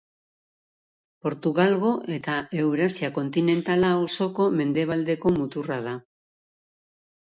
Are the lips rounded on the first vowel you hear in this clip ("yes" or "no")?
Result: yes